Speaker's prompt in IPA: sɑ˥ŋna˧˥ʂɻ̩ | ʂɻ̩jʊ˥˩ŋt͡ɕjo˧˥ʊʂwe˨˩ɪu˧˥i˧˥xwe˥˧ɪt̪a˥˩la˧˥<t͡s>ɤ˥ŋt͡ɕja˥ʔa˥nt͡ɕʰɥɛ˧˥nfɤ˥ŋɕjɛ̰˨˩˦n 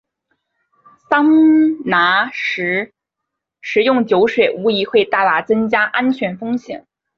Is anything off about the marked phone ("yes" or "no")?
no